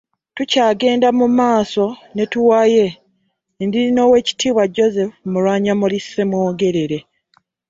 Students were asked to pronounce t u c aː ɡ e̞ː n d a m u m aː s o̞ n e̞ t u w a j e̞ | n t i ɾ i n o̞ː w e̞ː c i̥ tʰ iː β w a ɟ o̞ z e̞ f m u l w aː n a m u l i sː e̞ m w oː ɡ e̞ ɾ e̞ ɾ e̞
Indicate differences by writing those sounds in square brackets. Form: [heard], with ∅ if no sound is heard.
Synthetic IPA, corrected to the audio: t u c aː ɡ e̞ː n d a m u m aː s o̞ n e̞ t u w a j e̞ | n [d] i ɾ i n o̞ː w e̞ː c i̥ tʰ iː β w a ɟ o̞ z e̞ f m u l w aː [ɲ] a m u l i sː e̞ m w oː ɡ e̞ ɾ e̞ ɾ e̞

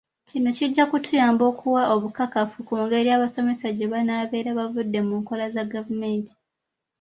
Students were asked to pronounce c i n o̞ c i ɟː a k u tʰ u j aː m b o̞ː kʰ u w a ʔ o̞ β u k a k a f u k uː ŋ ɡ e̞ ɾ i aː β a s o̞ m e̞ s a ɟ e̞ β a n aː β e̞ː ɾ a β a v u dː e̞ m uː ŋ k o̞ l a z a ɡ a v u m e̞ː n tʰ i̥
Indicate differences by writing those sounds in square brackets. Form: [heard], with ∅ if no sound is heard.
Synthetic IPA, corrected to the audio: c i n o̞ c i ɟː a k u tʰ u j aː m b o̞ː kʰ u w a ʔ o̞ β u k a k a f u k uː ŋ ɡ e̞ ɾ i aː β a s o̞ m e̞ s a ɟ e̞ β a n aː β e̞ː ɾ a β a v u dː e̞ m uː ŋ k o̞ l a z a ɡ a v u m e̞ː n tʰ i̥

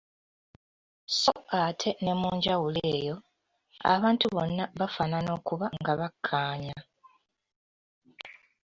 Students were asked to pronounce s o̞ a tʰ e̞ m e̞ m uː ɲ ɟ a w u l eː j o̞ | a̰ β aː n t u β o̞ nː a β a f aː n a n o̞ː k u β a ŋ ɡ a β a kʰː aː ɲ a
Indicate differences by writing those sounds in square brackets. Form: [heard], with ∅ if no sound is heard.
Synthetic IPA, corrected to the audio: s o̞ a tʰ e̞ [n] e̞ m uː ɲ ɟ a w u l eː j o̞ | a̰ β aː n t u β o̞ nː a β a f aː n a n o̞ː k u β a ŋ ɡ a β a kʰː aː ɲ a

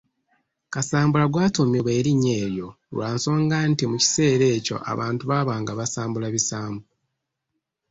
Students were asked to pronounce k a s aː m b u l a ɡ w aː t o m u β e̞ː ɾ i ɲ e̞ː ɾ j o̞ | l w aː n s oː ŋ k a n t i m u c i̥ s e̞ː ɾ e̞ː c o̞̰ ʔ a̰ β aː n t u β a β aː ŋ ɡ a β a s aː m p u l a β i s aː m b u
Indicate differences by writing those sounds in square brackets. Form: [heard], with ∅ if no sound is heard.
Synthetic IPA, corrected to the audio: k a s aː m b u l a ɡ w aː t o m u β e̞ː ɾ i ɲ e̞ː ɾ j o̞ | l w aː n s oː ŋ [ɡ] a n t i m u c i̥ s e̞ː ɾ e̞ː c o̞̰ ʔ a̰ β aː n t u β a β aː ŋ ɡ a β a s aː m [b] u l a β i s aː m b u

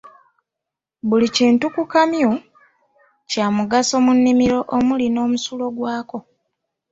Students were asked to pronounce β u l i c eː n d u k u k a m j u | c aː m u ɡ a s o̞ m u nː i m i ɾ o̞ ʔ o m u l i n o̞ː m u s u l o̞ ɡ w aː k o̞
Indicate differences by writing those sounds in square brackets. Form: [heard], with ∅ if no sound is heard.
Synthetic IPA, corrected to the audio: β u l i c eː n [t] u k u k a m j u | c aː m u ɡ a s o̞ m u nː i m i ɾ o̞ ʔ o m u l i n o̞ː m u s u l o̞ ɡ w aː k o̞

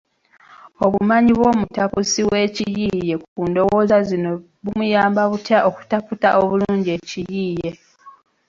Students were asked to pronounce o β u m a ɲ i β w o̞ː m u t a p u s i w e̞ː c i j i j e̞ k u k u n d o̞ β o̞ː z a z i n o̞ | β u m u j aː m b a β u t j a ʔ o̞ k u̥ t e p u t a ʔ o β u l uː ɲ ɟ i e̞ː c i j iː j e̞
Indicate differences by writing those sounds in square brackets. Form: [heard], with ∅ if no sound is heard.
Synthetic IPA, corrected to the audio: o β u m a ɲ i β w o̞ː m u t a p u s i w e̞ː c i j i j e̞ k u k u n d o̞ [w] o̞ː z a z i n o̞ | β u m u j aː m b a β u t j a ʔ o̞ k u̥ t [a] p u t a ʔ o β u l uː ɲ ɟ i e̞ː c i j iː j e̞

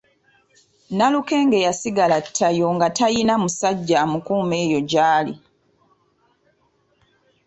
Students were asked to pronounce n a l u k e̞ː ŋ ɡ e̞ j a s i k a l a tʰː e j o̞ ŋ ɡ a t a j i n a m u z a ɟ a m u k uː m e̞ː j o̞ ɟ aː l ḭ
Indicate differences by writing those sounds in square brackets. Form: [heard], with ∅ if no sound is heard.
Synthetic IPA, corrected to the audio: n a l u k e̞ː ŋ ɡ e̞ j a s i [ɡ] a l a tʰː [a] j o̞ ŋ ɡ a t a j i n a m u [s] a [ɟː] a m u k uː m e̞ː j o̞ ɟ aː l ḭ

